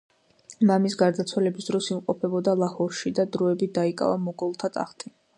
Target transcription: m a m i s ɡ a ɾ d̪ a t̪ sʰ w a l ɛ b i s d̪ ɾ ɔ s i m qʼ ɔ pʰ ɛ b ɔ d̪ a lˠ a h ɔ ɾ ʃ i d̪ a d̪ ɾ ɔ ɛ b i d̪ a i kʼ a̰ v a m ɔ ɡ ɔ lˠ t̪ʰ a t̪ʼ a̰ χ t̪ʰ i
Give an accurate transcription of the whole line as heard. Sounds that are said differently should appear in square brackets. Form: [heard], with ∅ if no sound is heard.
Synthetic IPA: m a m i s ɡ a ɾ d̪ a t̪ sʰ w a l ɛ b i s d̪ ɾ ɔ s i m qʼ ɔ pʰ ɛ b ɔ d̪ a lˠ a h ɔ ɾ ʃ i d̪ a d̪ ɾ ɔ ɛ b i d̪ a i kʼ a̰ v a m ɔ ɡ ɔ lˠ t̪ʰ a t̪ʼ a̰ χ t̪ʰ i

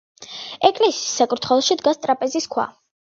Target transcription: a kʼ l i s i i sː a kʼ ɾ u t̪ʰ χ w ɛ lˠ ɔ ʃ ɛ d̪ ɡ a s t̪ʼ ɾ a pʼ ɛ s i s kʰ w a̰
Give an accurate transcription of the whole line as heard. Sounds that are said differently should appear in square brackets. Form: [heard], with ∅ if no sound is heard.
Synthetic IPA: [ɛ] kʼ l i s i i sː a kʼ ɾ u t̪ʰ χ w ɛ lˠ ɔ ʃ [i] d̪ ɡ a s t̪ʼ ɾ a pʼ ɛ [z] i s kʰ w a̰

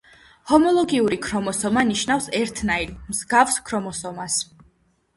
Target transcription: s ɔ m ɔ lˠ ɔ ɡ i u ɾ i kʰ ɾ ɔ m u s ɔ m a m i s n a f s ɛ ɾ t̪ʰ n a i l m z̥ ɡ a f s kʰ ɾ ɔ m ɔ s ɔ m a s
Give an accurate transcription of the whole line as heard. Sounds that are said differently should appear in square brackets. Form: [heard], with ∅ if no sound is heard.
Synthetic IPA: [h] ɔ m ɔ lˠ ɔ ɡ i u ɾ i kʰ ɾ ɔ m [ɔ] s ɔ m a [n] i [ʃ] n a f s ɛ ɾ t̪ʰ n a i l m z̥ ɡ a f s kʰ ɾ ɔ m ɔ s ɔ m a s

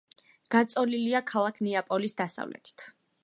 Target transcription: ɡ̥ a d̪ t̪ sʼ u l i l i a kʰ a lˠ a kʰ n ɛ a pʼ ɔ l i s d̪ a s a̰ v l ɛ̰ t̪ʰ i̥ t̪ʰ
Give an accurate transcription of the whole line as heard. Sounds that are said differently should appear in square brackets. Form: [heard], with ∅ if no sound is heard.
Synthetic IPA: ɡ̥ a [∅] t̪ sʼ [ɔ] l i l i a kʰ a lˠ a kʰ n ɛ a pʼ ɔ l i s d̪ a s a̰ v l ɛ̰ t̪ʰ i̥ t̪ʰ

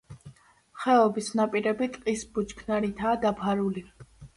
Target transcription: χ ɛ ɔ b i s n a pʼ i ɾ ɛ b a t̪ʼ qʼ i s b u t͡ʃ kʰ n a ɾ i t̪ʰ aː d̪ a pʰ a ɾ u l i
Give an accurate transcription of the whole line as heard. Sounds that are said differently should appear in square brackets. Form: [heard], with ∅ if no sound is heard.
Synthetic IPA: χ ɛ ɔ b i s n a pʼ i ɾ ɛ b [i] t̪ʼ qʼ i s b u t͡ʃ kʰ n a ɾ i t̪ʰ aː d̪ a pʰ a ɾ u l i

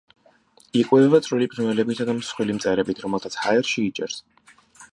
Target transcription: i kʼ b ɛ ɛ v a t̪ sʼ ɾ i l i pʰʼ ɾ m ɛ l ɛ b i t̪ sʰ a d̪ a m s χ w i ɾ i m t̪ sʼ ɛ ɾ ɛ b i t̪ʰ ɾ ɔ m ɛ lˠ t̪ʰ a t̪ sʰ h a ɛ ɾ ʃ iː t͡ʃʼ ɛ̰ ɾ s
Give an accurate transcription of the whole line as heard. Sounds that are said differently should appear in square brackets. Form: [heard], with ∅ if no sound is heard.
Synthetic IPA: i kʼ [w] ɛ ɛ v a t̪ sʼ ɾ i l i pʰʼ ɾ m ɛ l ɛ b i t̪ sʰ a d̪ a m s χ w i [l] i m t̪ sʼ ɛ ɾ ɛ b i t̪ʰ ɾ ɔ m ɛ lˠ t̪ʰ a t̪ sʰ h a ɛ ɾ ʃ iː t͡ʃʼ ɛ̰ ɾ s

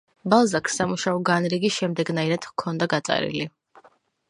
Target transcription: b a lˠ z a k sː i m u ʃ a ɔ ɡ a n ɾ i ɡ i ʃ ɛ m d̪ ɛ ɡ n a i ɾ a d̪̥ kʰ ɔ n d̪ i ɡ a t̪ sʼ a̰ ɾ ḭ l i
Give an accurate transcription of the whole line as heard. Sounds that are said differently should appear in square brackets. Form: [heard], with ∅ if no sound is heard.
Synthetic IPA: b a lˠ z a k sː [a] m u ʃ a ɔ ɡ a n ɾ i ɡ i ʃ ɛ m d̪ ɛ ɡ n a i ɾ a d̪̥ kʰ ɔ n d̪ [a] ɡ a t̪ sʼ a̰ ɾ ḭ l i

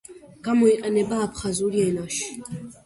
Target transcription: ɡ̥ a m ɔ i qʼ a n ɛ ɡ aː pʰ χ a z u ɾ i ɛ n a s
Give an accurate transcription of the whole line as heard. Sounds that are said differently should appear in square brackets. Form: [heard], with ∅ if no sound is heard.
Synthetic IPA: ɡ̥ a m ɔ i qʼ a n ɛ [b] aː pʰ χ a z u ɾ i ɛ n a [ʃ]

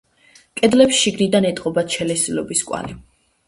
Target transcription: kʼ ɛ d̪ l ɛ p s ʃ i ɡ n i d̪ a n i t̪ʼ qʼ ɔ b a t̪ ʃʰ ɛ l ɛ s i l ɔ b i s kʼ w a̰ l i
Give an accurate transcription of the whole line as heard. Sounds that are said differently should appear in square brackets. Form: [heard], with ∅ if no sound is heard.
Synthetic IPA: kʼ ɛ d̪ l ɛ p s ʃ i ɡ n i d̪ a n [ɛ] t̪ʼ qʼ ɔ b a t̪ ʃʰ ɛ l ɛ s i l ɔ b i s kʼ w a̰ l i

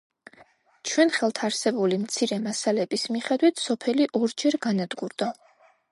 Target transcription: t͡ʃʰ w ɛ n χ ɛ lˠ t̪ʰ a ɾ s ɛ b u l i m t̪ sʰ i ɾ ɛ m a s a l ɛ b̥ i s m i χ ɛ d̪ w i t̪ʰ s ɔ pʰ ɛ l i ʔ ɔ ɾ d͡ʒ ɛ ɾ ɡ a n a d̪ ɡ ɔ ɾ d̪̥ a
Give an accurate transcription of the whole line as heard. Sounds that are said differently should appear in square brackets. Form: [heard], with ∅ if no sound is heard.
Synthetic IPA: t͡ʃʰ w ɛ n χ ɛ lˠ t̪ʰ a ɾ s ɛ b u l i m t̪ sʰ i ɾ ɛ m a s a l ɛ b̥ i s m i χ ɛ d̪ w i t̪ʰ s ɔ pʰ ɛ l i ʔ ɔ ɾ d͡ʒ ɛ ɾ ɡ a n a d̪ ɡ [u] ɾ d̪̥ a

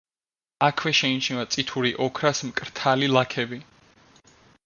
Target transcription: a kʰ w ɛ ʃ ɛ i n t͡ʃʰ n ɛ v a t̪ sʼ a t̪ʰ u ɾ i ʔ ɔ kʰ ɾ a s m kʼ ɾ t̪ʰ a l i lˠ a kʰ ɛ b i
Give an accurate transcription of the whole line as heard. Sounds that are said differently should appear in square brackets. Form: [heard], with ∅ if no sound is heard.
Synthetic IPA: a kʰ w ɛ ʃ ɛ i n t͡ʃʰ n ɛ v a t̪ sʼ [i] t̪ʰ u ɾ i ʔ ɔ kʰ ɾ a s m kʼ ɾ t̪ʰ a l i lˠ a kʰ ɛ b i

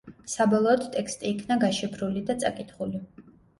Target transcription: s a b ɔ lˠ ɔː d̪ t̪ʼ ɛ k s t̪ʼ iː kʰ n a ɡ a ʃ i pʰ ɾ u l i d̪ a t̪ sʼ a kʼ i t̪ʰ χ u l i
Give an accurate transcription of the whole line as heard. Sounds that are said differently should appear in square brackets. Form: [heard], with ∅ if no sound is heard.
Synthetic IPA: s a b ɔ lˠ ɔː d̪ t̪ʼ ɛ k s t̪ʼ iː kʰ n a ɡ a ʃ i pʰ ɾ u l i d̪ a t̪ sʼ a kʼ i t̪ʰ χ u l i

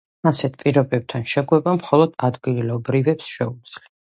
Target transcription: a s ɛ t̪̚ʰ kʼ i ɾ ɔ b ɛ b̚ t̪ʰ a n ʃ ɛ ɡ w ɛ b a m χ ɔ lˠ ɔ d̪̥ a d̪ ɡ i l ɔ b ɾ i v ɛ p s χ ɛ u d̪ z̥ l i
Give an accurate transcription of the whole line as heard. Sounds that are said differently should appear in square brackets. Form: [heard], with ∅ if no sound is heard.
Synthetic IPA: a s ɛ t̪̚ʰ [pʼ] i ɾ ɔ b ɛ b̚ t̪ʰ a n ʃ ɛ ɡ w ɛ b a m χ ɔ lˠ ɔ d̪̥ a d̪ ɡ i l ɔ b ɾ i v ɛ p s [ʃ] ɛ u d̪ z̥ l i

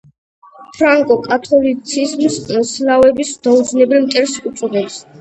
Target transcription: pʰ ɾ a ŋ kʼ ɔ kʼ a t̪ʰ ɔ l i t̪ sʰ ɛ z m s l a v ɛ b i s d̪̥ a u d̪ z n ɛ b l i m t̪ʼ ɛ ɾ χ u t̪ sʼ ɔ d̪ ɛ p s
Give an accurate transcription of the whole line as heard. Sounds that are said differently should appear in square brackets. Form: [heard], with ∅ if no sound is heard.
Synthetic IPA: pʰ ɾ a ŋ kʼ ɔ kʼ a t̪ʰ ɔ l i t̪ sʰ [i] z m s l a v ɛ b i s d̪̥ a u d̪ z n ɛ b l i m t̪ʼ ɛ ɾ [s] u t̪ sʼ ɔ d̪ ɛ p s

